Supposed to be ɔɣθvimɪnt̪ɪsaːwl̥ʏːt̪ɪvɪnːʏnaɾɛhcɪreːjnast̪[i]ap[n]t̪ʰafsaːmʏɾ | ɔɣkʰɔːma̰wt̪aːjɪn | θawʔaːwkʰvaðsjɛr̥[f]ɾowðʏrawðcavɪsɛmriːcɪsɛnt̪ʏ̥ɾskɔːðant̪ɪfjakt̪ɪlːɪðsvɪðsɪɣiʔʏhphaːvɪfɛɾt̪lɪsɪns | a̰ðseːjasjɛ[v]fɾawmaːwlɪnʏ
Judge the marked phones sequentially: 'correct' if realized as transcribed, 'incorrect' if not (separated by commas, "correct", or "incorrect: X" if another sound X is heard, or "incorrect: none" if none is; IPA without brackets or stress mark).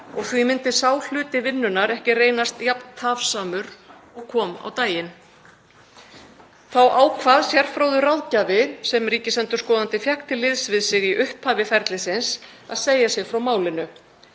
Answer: incorrect: j, correct, correct, incorrect: ɣ